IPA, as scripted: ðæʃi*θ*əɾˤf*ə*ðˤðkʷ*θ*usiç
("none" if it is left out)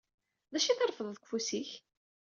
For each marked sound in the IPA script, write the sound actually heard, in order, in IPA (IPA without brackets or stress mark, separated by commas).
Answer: θ, ə, f